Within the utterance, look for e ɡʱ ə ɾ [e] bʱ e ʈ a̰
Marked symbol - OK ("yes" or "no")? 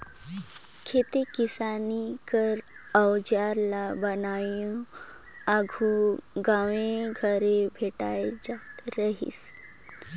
yes